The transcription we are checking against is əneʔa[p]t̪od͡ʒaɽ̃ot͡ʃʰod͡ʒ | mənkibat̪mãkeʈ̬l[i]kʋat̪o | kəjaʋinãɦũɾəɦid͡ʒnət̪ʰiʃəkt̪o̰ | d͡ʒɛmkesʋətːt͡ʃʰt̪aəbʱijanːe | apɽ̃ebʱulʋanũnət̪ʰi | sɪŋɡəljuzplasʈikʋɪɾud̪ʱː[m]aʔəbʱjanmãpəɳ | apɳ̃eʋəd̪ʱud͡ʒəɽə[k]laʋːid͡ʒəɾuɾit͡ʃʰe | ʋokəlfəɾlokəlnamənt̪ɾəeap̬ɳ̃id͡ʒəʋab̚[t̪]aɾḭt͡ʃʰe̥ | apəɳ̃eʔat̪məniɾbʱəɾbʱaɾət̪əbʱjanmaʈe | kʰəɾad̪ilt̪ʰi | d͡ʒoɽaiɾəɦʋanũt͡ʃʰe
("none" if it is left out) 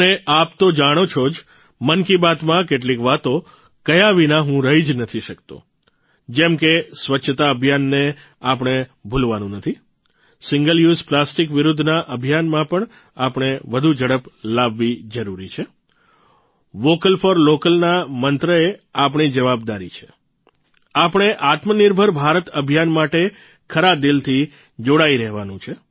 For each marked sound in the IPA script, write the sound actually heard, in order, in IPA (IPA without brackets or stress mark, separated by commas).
p, i, n, p, d̪